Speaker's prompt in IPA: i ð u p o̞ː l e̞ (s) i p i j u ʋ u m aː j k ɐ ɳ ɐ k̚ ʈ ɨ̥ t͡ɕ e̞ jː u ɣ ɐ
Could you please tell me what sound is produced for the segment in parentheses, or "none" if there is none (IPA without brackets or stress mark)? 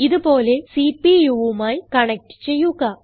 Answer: s